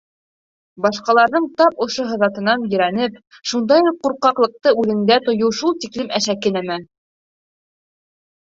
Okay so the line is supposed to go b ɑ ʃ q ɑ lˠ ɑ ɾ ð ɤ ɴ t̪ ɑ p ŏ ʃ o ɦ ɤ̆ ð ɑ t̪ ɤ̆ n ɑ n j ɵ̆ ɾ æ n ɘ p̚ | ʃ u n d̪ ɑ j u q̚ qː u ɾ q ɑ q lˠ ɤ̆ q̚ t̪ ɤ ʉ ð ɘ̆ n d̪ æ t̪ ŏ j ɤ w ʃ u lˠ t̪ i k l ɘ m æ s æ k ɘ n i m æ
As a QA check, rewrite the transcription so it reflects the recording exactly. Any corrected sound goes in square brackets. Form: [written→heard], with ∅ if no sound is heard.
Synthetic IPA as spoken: b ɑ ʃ q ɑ lˠ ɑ ɾ ð ɤ ɴ t̪ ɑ p ŏ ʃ o ɦ ɤ̆ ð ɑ t̪ ɤ̆ n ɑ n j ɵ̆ ɾ æ n ɘ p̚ | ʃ u n d̪ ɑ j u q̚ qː u ɾ q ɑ q lˠ ɤ̆ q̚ t̪ ɤ ʉ ð ɘ̆ n d̪ æ t̪ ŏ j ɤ w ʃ u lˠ t̪ i k l ɘ m æ [s→ʃ] æ k ɘ n [i→æ] m æ